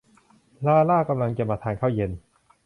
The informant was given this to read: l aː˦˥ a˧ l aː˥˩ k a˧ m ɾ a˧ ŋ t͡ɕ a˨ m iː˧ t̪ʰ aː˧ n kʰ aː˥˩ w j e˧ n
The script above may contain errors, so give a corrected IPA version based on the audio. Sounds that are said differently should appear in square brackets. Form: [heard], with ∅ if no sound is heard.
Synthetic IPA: l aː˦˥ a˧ l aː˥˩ k a˧ m [l] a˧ ŋ t͡ɕ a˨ m [aː˧] t̪ʰ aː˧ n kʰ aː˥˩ w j e˧ n